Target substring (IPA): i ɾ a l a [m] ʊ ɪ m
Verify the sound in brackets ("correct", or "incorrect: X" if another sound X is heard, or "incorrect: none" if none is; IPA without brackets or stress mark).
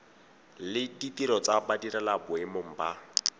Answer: incorrect: b